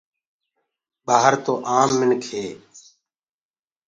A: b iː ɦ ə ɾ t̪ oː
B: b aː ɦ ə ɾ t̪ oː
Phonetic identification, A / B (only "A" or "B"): B